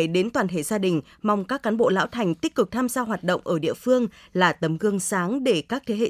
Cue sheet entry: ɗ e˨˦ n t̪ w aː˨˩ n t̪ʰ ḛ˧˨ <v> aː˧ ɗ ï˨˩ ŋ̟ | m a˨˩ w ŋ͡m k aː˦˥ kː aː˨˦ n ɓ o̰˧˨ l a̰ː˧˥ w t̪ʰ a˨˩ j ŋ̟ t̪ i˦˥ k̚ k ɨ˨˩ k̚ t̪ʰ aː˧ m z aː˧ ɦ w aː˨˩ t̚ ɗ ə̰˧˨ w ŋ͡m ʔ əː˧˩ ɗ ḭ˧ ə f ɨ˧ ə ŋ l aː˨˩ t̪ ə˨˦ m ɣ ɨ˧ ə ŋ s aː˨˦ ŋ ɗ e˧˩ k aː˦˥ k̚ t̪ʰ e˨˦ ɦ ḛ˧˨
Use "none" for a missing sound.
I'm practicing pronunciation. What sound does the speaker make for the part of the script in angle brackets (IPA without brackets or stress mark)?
z